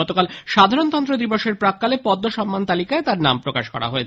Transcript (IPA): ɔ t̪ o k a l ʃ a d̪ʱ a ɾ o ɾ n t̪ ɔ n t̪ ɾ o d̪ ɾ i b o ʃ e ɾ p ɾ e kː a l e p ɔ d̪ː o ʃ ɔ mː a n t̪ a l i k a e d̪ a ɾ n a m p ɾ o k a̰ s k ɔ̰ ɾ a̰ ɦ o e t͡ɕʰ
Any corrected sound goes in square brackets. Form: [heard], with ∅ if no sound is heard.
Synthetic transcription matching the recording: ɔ t̪ o k a l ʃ a d̪ʱ a ɾ o [∅] n t̪ ɔ n t̪ ɾ o d̪ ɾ i b o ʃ e ɾ p ɾ [a] kː a l e p ɔ d̪ː o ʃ ɔ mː a n t̪ a l i k a e [t̪] a ɾ n a m p ɾ o k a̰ [ʃ] k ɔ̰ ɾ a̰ ɦ o e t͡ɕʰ